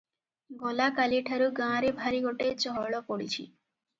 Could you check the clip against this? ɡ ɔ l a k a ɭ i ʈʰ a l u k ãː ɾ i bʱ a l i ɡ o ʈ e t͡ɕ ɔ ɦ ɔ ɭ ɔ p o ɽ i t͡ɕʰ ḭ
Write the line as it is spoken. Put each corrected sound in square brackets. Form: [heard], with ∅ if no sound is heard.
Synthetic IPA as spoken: ɡ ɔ l a k a [l] i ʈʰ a [ɾ] u [ɡ] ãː ɾ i bʱ a [ɾ] i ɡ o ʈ e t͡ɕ ɔ ɦ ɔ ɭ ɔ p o ɽ i t͡ɕʰ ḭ